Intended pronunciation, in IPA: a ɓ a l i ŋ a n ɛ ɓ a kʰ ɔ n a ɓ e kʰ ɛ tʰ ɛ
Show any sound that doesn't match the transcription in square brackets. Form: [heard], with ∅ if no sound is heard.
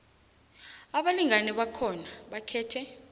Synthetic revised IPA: a ɓ a l i ŋ a n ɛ ɓ a kʰ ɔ n a ɓ [a] kʰ [ɛː] tʰ ɛ